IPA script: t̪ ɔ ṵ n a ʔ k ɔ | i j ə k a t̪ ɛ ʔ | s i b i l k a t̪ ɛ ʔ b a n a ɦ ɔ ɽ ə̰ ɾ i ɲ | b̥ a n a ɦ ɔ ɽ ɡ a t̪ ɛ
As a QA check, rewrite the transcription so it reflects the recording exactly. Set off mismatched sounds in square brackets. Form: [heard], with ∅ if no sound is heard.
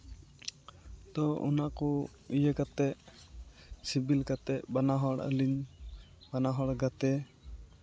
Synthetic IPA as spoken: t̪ ɔ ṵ n a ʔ k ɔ | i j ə k a t̪ ɛ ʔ | s i b i l k a t̪ ɛ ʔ b a n a ɦ ɔ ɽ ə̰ [l] i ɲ | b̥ a n a ɦ ɔ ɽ ɡ a t̪ ɛ